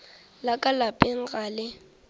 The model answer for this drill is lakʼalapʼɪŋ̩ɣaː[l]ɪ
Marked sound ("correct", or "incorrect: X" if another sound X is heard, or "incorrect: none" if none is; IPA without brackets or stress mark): correct